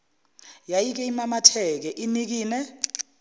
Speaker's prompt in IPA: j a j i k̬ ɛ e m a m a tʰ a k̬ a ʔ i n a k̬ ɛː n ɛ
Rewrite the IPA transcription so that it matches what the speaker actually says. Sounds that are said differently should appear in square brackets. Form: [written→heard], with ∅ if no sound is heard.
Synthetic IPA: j a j i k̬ ɛ [e→i] m a m a tʰ [a→ɛ] k̬ [a→ɛ] ʔ i n [a→i] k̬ [ɛː→iː] n ɛ